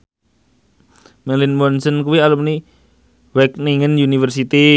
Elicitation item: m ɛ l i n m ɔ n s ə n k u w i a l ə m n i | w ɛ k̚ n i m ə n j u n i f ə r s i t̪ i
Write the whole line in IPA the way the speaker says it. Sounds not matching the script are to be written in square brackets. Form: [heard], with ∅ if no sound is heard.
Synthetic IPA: m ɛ l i n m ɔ n s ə n k u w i a l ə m n i | w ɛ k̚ n i [ŋ] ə n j u n i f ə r s i t̪ i